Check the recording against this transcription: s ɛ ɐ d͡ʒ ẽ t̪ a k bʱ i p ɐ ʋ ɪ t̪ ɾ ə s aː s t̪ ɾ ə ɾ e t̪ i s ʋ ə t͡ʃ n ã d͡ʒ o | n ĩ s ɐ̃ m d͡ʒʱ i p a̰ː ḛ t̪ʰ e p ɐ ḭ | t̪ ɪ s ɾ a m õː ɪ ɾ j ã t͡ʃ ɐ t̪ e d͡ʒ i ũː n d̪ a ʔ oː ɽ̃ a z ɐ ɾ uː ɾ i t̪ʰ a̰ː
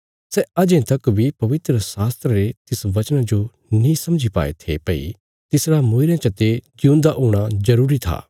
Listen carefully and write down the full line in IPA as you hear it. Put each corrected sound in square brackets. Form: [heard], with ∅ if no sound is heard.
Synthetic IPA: s ɛ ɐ d͡ʒ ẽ t̪ [ɐ] k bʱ i p ɐ ʋ ɪ t̪ ɾ ə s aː s t̪ ɾ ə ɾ e t̪ [ɪ] s ʋ [ɐ] t͡ʃ n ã d͡ʒ o | n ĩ s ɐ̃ m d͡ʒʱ i p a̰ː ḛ t̪ʰ e p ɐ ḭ | t̪ ɪ s ɾ a m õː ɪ ɾ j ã t͡ʃ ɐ t̪ e d͡ʒ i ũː n d̪ a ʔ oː ɽ̃ a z ɐ ɾ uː ɾ i t̪ʰ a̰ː

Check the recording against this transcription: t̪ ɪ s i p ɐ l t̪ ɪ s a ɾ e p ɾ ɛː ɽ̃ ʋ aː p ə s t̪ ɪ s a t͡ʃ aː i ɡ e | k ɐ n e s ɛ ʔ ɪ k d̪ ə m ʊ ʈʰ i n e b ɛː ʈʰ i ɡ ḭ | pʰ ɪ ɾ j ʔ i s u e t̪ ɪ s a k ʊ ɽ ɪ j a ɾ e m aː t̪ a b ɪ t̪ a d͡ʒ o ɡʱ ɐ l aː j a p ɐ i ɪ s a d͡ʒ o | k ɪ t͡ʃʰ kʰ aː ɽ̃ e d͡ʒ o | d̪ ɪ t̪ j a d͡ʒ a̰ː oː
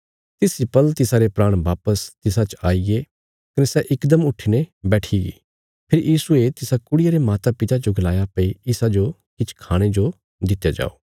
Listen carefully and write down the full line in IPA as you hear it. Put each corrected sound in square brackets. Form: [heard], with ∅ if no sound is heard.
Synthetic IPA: t̪ ɪ s i p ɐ l t̪ ɪ s a ɾ e p ɾ [aː] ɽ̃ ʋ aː p ə s t̪ ɪ s a t͡ʃ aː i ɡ e | k ɐ n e s ɛ ʔ ɪ k d̪ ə m ʊ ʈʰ i n e b ɛː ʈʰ i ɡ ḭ | pʰ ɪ ɾ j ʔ [iː] s u e t̪ ɪ s a k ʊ ɽ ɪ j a ɾ e m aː t̪ a [p] ɪ t̪ a d͡ʒ o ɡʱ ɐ l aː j a p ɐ i ɪ s a d͡ʒ o | k ɪ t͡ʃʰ kʰ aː ɽ̃ e d͡ʒ o | d̪ ɪ t̪ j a d͡ʒ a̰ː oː

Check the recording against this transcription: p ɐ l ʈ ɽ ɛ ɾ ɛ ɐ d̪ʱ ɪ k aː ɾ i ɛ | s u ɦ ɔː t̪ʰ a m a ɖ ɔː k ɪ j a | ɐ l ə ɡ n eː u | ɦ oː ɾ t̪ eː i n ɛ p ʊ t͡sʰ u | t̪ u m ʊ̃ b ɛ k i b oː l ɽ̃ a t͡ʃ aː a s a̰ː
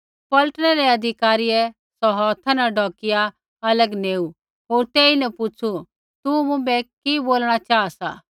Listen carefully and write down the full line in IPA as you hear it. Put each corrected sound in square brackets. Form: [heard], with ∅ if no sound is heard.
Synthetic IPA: p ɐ l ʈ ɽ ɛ ɾ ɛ ɐ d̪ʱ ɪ k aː ɾ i ɛ | s [ɔ] ɦ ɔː t̪ʰ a [n] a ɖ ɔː k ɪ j a | ɐ l ə ɡ n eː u | ɦ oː ɾ t̪ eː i n ɛ p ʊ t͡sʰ u | t̪ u m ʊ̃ b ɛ k i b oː l ɽ̃ a t͡ʃ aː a s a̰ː

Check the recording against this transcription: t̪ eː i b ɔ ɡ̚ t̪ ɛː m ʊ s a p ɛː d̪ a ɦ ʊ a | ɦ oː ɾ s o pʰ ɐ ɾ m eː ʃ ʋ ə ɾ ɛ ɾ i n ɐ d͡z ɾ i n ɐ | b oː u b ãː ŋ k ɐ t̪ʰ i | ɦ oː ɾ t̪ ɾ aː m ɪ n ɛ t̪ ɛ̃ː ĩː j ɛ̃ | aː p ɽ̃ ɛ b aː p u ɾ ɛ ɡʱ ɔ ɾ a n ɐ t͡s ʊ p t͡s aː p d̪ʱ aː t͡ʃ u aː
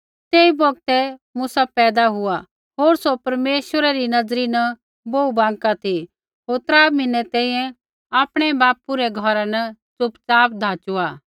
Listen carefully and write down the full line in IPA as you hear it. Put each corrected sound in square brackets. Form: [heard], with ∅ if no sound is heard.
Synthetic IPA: t̪ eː i b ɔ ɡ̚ t̪ [ɛ] m ʊ s a p ɛː d̪ a ɦ ʊ a | ɦ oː ɾ s o [p] ɐ ɾ m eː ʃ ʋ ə ɾ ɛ ɾ i n ɐ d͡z ɾ i n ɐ | b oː u b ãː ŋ k [a] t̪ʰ i | ɦ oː ɾ t̪ ɾ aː m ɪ n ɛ t̪ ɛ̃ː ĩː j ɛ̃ | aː p ɽ̃ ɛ b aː p u ɾ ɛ ɡʱ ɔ ɾ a n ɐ t͡s ʊ p t͡s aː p d̪ʱ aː t͡ʃ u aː

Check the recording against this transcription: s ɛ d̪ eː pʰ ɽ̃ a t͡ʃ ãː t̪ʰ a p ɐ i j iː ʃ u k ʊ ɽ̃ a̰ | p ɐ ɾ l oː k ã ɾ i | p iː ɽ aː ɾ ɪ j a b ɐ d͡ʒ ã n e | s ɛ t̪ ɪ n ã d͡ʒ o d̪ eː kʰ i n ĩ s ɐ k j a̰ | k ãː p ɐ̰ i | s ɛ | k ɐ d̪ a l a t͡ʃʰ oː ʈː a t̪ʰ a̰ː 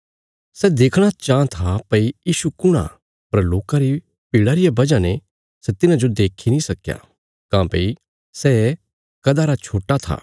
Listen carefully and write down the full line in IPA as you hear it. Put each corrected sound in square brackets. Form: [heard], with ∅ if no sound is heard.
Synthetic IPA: s ɛ d̪ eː [kʰ] ɽ̃ a t͡ʃ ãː t̪ʰ a p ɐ i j iː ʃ u k ʊ ɽ̃ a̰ | p ɐ ɾ l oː k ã ɾ i | p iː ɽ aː ɾ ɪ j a b ɐ d͡ʒ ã n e | s ɛ t̪ ɪ n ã d͡ʒ o d̪ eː kʰ i n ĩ s ɐ k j a̰ | k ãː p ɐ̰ i | s ɛ | k ɐ d̪ a [ɾ] a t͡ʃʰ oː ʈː a t̪ʰ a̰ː

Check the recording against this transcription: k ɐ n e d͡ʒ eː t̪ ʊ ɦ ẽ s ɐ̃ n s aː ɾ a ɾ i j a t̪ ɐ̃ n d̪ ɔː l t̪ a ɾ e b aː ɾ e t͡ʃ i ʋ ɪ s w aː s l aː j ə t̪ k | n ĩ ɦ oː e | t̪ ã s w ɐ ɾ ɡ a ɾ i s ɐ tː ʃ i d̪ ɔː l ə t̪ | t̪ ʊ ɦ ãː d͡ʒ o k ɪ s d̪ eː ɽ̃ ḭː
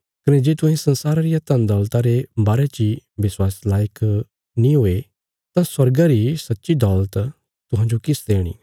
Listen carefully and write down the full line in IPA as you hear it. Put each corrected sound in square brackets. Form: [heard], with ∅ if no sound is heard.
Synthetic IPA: k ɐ n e d͡ʒ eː t̪ ʊ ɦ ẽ s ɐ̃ n s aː ɾ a ɾ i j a t̪ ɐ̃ n d̪ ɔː l t̪ a ɾ e b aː ɾ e t͡ʃ i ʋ ɪ s w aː s l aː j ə [∅] k | n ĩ ɦ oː e | t̪ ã s w ɐ ɾ ɡ a ɾ i s ɐ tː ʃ i d̪ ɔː l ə t̪ | t̪ ʊ ɦ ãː d͡ʒ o k ɪ s d̪ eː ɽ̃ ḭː

